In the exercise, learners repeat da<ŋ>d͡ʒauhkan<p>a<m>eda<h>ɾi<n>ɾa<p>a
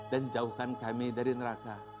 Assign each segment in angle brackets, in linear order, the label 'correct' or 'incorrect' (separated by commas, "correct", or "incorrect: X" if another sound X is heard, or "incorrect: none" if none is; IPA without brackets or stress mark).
incorrect: n, incorrect: k, correct, incorrect: none, correct, incorrect: k